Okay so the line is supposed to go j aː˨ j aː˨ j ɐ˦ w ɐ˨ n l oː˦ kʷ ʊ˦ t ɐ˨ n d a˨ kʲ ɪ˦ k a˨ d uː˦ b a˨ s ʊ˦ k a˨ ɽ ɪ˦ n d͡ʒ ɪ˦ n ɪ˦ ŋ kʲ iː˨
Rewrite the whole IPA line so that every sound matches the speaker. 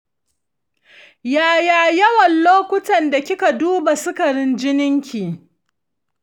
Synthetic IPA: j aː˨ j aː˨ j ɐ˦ w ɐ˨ n l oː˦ kʷ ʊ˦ t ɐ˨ n d a˨ kʲ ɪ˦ k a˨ d uː˦ b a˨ s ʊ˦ k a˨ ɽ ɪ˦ n d͡ʒ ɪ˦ n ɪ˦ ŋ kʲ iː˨